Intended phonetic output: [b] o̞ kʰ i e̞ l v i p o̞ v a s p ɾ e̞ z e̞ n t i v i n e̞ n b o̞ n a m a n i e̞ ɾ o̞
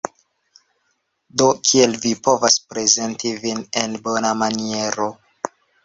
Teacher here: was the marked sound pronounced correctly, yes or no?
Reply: no